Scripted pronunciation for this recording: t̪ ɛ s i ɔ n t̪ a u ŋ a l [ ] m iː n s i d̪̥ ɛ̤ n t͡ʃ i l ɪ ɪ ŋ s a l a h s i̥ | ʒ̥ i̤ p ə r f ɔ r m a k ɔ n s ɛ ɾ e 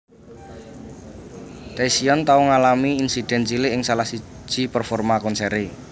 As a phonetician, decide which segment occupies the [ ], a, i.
a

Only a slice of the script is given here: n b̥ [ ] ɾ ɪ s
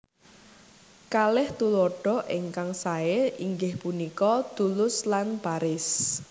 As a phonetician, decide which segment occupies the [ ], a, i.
a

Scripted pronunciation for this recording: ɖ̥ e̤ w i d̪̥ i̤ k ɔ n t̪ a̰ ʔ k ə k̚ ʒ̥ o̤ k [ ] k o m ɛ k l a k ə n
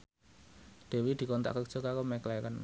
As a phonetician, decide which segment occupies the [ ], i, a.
a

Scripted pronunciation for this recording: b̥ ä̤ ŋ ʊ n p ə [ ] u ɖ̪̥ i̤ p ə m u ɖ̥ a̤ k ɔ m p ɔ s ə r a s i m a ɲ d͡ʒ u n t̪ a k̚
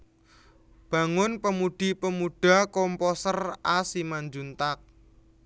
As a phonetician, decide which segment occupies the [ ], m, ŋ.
m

